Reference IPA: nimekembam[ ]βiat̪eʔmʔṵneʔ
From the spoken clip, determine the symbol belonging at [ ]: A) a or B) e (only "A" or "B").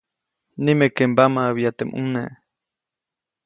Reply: A